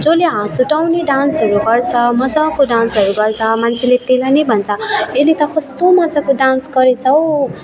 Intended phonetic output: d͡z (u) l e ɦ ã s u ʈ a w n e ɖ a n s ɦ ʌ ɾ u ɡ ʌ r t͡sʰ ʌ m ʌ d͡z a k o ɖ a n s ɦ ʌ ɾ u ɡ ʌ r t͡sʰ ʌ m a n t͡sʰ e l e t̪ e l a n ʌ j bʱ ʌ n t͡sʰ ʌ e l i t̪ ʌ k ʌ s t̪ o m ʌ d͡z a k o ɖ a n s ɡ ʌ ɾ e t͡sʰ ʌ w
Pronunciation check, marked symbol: incorrect: o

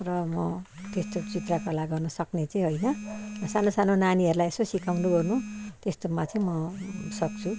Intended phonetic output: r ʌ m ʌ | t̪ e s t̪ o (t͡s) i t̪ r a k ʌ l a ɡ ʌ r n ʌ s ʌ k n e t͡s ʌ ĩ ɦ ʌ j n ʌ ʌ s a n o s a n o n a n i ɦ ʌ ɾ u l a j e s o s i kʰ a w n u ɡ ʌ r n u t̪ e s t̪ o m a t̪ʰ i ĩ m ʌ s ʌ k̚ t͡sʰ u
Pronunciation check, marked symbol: correct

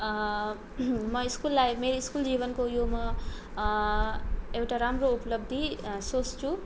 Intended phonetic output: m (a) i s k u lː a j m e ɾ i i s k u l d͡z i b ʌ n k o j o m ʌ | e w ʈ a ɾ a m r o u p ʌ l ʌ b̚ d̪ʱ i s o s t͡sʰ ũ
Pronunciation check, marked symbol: incorrect: ʌ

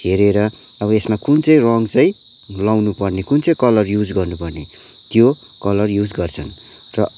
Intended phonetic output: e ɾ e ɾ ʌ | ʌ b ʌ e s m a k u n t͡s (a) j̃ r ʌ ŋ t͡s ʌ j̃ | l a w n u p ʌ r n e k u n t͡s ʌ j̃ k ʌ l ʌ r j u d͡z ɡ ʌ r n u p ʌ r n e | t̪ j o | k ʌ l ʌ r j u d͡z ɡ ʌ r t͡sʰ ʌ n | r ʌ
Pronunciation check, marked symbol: incorrect: ʌ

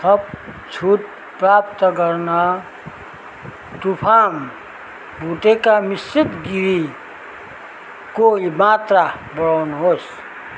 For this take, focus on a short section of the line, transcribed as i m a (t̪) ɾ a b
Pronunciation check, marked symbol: correct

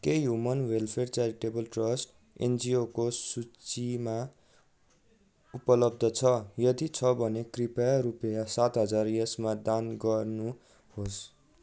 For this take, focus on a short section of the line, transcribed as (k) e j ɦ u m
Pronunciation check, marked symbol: correct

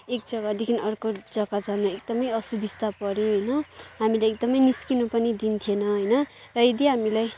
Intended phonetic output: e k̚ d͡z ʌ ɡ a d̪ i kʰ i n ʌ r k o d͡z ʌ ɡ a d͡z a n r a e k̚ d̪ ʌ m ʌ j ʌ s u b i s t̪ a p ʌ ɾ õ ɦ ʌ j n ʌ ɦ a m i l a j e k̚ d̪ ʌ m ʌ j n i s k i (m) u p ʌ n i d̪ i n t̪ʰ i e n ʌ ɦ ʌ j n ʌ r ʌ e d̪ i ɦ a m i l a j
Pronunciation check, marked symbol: incorrect: n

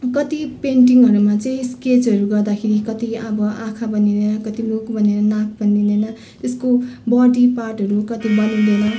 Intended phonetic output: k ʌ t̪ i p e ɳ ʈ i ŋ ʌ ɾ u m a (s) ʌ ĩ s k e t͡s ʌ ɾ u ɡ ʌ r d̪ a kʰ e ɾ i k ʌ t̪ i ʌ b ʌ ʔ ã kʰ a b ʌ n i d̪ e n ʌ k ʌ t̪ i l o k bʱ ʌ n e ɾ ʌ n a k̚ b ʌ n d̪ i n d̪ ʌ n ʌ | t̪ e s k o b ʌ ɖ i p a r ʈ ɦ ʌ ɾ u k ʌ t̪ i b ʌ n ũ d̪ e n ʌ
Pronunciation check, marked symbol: incorrect: t͡s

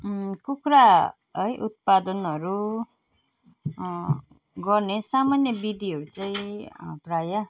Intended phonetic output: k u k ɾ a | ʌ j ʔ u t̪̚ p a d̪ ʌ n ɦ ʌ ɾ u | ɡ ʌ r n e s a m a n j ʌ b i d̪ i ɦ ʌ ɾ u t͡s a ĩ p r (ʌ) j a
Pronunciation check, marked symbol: incorrect: a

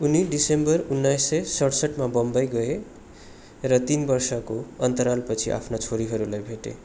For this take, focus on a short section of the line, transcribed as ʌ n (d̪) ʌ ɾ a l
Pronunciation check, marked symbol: incorrect: t̪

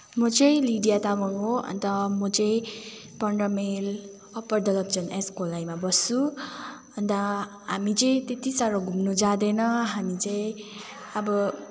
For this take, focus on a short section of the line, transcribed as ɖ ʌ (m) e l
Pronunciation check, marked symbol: correct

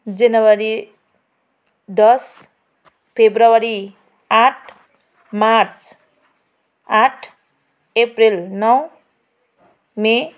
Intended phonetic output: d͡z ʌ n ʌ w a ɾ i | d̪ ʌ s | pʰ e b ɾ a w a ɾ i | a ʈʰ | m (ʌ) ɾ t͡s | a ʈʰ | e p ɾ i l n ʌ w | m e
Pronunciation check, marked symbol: incorrect: a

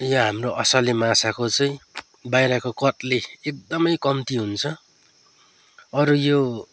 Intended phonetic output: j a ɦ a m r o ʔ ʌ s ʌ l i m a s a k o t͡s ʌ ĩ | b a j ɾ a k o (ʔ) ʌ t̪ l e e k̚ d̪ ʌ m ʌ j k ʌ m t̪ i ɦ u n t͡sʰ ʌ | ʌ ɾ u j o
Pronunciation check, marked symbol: incorrect: k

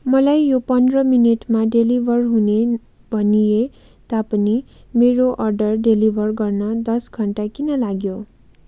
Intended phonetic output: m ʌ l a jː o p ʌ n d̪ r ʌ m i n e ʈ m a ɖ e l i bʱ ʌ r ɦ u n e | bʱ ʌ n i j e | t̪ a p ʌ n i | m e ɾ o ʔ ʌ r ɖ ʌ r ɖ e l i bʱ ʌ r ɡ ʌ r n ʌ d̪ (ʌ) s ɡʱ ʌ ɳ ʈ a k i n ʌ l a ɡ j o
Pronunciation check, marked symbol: correct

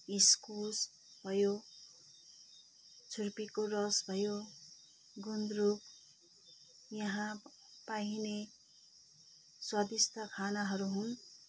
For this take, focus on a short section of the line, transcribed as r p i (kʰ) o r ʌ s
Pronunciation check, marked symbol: incorrect: k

